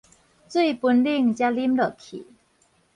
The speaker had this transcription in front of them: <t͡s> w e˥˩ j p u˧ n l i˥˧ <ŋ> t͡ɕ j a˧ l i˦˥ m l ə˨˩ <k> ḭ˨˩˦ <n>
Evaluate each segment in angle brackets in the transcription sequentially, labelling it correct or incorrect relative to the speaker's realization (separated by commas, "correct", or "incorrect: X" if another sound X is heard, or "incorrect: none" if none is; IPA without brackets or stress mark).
correct, correct, incorrect: kʰ, incorrect: none